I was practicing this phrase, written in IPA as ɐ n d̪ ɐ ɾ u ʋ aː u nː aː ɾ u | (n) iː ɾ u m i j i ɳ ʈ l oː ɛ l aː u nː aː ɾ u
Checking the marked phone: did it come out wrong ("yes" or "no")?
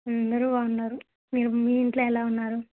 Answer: yes